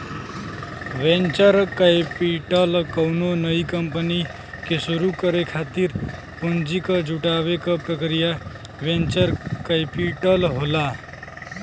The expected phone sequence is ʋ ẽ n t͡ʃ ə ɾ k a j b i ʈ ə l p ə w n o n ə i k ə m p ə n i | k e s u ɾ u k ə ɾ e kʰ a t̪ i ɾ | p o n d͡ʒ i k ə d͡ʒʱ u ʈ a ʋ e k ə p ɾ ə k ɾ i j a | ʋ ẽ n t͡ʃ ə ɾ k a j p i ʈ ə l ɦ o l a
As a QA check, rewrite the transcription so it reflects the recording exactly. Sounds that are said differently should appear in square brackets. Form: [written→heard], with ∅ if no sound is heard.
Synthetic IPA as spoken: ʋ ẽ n t͡ʃ ə ɾ k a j [b→p] i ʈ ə l [p→k] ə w n o n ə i k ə m p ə n i | k e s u ɾ u k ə ɾ e kʰ a t̪ i ɾ | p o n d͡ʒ i k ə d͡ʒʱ u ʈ a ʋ e k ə p ɾ ə k ɾ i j a | ʋ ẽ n t͡ʃ ə ɾ k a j p i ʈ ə l ɦ o l a